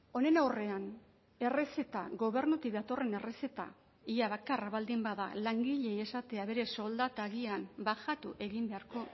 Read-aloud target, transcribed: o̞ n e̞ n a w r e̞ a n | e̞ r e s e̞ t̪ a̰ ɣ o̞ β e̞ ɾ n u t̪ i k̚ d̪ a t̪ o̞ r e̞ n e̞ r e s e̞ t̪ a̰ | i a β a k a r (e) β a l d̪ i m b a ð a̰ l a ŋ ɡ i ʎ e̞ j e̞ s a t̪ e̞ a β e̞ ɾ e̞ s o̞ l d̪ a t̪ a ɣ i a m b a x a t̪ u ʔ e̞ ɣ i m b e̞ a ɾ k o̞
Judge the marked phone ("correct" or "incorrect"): incorrect